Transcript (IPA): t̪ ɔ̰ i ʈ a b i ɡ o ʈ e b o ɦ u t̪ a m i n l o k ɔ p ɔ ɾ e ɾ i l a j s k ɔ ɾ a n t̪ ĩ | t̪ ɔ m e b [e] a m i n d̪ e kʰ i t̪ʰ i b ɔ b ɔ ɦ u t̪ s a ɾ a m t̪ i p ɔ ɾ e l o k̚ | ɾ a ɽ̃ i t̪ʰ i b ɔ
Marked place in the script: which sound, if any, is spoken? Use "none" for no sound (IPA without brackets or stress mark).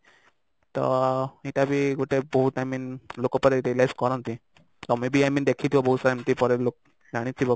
i